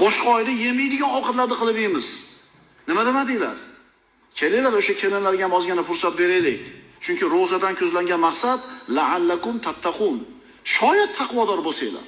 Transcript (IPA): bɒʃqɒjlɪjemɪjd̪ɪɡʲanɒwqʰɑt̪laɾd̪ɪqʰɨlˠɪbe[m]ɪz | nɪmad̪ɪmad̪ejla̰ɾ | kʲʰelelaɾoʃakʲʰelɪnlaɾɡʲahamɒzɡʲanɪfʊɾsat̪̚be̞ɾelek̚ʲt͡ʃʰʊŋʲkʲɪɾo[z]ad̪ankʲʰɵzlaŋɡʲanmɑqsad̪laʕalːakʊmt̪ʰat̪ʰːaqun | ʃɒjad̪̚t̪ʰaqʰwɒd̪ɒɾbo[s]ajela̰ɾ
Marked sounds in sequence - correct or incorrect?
correct, correct, correct

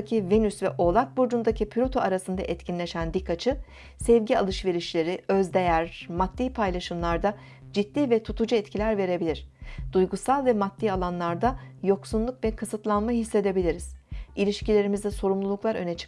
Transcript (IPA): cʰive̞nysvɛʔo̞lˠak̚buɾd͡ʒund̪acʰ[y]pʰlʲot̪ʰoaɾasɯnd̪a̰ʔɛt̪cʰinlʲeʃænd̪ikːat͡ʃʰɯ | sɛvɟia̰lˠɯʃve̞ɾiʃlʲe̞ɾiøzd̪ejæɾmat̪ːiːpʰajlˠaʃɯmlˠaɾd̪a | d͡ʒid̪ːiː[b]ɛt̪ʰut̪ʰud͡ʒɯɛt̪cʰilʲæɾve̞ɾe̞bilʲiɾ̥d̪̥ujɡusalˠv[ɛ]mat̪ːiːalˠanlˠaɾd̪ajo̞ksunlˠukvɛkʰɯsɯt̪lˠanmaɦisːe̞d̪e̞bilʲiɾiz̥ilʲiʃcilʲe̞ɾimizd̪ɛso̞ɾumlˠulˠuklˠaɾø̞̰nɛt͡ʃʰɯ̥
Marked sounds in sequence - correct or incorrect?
incorrect, incorrect, correct

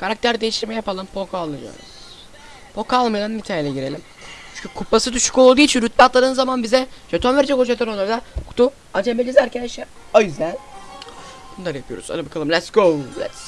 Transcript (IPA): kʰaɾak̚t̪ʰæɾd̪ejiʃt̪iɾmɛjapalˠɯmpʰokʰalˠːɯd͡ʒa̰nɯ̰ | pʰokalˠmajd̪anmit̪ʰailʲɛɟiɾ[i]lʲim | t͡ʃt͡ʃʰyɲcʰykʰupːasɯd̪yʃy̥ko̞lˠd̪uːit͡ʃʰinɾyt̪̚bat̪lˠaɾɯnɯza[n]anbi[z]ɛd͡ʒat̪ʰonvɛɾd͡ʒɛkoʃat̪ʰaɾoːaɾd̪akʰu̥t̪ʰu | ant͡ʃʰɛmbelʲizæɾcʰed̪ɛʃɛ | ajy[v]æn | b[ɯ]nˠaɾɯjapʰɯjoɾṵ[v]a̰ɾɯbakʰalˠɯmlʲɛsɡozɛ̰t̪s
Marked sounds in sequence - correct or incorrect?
incorrect, incorrect, correct, incorrect, incorrect, incorrect

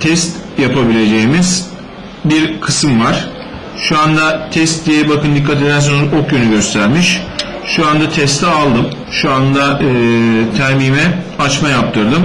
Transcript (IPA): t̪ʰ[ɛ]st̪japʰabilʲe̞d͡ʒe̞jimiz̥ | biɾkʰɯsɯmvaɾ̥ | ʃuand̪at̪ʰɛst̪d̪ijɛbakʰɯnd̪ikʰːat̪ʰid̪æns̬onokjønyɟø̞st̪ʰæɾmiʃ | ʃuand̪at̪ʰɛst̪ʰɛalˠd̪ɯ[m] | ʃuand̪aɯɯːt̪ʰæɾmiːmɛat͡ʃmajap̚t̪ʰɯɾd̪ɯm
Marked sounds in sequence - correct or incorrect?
correct, correct

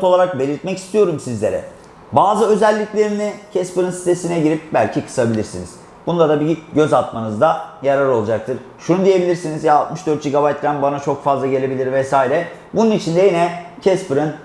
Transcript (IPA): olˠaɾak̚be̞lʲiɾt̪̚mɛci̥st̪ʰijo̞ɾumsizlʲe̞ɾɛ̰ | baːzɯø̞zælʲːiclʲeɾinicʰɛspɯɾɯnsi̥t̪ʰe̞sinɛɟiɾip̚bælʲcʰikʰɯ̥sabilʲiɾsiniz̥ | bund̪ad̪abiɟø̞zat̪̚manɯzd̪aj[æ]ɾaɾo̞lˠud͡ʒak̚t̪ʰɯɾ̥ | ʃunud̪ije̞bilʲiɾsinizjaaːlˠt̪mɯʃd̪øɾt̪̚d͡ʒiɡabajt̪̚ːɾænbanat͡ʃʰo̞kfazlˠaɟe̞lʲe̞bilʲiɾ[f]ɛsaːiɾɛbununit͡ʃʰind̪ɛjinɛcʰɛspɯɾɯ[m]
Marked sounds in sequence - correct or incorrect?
incorrect, incorrect, incorrect

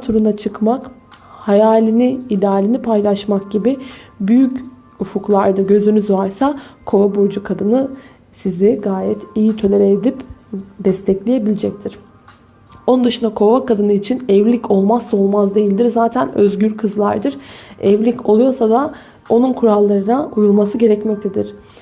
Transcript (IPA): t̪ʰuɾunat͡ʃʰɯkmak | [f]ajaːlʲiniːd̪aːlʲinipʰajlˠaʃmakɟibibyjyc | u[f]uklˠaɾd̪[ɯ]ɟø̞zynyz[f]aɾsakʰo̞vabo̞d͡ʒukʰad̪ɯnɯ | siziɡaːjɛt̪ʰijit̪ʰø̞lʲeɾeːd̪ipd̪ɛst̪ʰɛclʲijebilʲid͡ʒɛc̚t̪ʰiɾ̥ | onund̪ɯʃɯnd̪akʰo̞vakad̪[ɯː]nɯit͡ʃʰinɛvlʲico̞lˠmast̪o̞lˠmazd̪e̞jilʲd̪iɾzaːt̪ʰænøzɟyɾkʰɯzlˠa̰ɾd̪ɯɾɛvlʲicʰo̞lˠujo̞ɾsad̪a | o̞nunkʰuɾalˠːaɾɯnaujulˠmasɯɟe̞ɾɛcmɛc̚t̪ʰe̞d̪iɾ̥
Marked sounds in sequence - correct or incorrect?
incorrect, correct, correct, incorrect, incorrect

